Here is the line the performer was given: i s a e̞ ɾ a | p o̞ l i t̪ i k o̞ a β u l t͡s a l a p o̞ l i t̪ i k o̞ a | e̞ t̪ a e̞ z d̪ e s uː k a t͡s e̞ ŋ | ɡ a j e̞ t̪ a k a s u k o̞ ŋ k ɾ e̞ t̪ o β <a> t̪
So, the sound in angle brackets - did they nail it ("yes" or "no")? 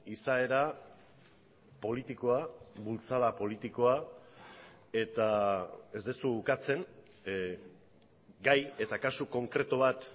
yes